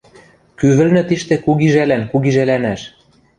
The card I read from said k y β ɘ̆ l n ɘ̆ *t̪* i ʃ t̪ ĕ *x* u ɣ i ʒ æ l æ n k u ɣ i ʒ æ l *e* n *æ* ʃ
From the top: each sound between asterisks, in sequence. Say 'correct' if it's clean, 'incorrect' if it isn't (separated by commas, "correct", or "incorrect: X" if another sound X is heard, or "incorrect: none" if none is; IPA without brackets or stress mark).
correct, incorrect: k, incorrect: æ, correct